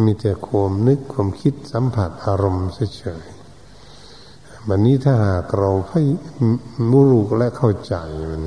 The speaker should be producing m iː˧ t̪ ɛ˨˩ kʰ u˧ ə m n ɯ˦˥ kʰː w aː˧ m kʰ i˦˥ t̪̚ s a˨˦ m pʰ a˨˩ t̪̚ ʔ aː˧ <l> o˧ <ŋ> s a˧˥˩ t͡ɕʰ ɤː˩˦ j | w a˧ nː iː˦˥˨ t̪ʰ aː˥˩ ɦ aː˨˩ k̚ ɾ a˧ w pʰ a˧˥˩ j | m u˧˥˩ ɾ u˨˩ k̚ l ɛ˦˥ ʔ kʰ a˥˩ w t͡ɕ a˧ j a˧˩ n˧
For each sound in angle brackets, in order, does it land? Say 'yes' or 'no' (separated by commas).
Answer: no, no